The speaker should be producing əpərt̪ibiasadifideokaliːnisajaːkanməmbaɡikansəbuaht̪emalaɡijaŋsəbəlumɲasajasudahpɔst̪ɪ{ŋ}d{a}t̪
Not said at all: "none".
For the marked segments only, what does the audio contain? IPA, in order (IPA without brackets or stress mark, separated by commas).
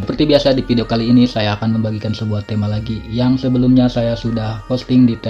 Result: ŋ, i